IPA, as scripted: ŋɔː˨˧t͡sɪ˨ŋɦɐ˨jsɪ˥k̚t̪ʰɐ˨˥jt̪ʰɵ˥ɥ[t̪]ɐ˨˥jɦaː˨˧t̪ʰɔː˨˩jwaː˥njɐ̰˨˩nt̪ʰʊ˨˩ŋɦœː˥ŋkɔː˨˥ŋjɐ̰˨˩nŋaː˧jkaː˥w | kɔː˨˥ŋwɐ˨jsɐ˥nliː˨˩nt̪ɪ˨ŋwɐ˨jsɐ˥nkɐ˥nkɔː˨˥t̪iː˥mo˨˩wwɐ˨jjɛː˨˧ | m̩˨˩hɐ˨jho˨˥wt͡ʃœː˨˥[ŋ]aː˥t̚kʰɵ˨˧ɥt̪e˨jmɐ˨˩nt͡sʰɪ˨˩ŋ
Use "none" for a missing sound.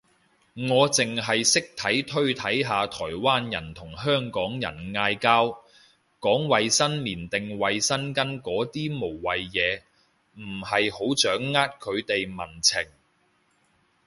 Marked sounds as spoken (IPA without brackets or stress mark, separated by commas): t̪ʰ, ŋː